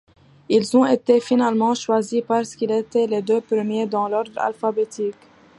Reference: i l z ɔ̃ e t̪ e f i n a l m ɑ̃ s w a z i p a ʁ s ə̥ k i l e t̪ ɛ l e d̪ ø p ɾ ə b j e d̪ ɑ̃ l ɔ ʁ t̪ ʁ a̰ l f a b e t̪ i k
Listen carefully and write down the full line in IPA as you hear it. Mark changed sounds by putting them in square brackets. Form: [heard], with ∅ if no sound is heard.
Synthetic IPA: i l z ɔ̃ e t̪ e f i n a l m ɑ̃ [ʃ] w a z i p a ʁ s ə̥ k i l e t̪ ɛ l e d̪ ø p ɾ ə [m] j e d̪ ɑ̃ l ɔ ʁ [d̪] ʁ a̰ l f a b e t̪ i k